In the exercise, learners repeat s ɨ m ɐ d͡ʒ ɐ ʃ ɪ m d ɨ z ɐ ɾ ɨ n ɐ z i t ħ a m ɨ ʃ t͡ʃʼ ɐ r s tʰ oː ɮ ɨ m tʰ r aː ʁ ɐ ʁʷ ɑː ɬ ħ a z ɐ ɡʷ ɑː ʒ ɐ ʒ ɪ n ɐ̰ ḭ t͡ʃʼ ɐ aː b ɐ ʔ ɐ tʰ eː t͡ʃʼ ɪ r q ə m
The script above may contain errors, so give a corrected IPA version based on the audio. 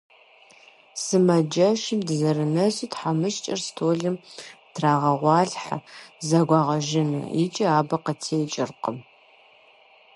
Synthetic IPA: s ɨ m ɐ d͡ʒ ɐ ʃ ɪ m d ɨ z ɐ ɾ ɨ n ɐ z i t ħ a m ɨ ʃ t͡ʃʼ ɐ r s tʰ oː ɮ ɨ m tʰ r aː ʁ ɐ ʁʷ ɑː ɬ ħ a z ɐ ɡʷ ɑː ʁ ɐ ʒ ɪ n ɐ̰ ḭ t͡ʃʼ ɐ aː b ɐ q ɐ tʰ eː t͡ʃʼ ɪ r q ə m